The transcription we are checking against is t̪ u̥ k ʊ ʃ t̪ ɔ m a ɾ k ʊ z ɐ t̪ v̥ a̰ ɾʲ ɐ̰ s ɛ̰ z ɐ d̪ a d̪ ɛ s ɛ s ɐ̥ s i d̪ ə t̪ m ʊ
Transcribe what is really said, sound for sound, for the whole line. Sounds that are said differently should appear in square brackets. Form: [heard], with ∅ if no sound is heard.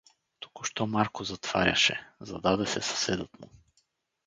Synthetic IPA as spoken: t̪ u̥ k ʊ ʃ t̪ ɔ m a ɾ k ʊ z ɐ t̪ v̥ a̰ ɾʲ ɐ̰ [ʃ] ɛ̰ z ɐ d̪ a d̪ ɛ s ɛ s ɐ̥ s [ɛ] d̪ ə t̪ m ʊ